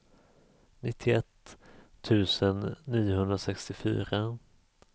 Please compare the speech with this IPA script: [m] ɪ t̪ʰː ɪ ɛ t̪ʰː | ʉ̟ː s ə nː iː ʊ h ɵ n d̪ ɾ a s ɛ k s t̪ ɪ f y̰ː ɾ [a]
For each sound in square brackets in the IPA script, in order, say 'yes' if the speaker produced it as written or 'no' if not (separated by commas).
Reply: no, yes